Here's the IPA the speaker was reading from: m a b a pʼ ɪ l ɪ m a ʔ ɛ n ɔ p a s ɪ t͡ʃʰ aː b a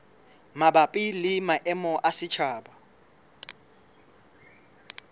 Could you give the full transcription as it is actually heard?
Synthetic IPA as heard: m a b a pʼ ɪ l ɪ m a ʔ ɛ m ɔ ʔ a s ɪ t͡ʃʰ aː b a